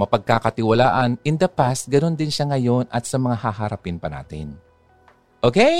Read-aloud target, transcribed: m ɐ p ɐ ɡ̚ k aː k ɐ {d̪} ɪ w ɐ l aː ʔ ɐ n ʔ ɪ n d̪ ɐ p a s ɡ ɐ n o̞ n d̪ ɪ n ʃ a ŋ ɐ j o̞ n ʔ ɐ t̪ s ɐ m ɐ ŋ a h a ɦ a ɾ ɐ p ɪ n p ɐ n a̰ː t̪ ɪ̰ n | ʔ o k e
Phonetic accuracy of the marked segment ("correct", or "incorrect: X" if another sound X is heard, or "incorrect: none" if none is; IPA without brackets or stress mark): incorrect: t̪